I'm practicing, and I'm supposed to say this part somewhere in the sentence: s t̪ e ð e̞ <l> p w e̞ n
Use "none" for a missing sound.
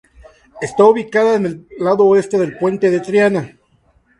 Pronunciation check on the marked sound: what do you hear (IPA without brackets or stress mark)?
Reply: l